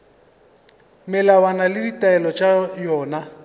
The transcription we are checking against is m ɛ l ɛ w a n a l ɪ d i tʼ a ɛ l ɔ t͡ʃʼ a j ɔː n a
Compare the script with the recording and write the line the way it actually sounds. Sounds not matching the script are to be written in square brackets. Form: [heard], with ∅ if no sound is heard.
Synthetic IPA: m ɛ l [a] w a n a l ɪ d i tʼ a ɛ l ɔ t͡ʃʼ a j ɔː n a